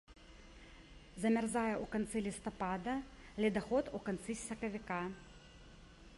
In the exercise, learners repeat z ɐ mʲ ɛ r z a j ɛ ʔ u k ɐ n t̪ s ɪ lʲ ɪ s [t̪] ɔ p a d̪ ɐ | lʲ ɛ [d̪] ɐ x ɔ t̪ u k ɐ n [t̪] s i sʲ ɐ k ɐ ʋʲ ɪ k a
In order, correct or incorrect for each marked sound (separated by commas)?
correct, correct, correct